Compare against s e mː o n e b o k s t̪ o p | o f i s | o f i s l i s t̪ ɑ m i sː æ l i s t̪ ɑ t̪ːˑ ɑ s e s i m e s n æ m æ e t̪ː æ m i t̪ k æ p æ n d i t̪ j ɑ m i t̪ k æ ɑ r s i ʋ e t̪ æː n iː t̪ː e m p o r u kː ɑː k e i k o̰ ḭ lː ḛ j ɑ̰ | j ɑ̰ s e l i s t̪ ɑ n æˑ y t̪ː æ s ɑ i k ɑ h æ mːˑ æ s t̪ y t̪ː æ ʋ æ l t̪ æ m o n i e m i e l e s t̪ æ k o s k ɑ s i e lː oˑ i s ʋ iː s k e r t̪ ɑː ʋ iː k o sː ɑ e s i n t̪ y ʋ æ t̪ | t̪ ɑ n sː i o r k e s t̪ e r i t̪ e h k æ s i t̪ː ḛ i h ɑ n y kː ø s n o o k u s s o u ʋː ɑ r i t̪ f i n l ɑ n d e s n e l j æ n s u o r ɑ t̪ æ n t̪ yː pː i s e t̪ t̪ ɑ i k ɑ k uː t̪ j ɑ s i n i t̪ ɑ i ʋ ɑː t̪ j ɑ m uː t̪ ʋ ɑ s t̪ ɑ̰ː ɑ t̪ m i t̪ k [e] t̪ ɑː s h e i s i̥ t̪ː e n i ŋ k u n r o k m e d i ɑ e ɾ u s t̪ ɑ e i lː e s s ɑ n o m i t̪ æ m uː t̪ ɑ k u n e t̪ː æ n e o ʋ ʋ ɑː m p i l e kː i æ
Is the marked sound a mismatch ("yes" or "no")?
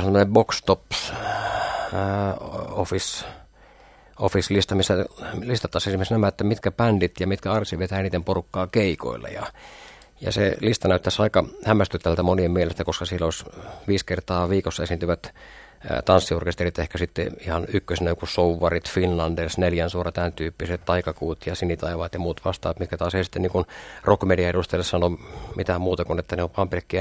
yes